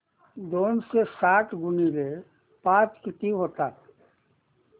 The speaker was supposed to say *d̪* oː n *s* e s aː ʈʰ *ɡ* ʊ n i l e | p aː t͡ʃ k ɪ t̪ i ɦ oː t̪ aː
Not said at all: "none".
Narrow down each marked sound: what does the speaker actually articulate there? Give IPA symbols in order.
d̪, s, ɡ

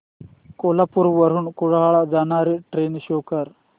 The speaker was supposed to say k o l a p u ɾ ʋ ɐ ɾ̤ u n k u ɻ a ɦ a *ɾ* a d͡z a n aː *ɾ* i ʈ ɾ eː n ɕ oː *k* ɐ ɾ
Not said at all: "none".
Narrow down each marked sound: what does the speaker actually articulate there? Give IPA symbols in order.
ɭ, ɾ, k

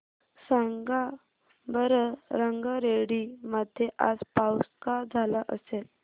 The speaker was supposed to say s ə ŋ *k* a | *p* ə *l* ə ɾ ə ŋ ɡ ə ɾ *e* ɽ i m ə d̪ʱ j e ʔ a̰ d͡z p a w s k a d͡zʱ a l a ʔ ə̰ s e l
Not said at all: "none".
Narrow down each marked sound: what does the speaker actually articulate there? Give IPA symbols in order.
ɡ, b, ɾ, e

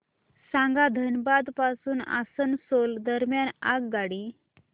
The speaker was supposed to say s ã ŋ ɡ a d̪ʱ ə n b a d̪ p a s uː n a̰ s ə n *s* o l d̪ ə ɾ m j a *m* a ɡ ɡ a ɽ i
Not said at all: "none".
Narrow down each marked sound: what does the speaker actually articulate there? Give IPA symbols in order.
s, n

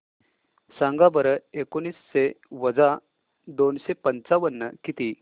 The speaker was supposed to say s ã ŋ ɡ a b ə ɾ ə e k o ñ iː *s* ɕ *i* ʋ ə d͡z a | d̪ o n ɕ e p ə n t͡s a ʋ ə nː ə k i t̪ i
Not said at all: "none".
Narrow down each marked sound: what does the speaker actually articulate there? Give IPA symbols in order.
s, e

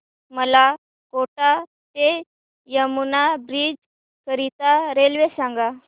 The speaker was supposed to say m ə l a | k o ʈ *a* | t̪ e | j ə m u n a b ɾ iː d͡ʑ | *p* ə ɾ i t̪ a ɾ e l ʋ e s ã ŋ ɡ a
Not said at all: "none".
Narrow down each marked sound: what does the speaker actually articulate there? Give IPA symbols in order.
a, k

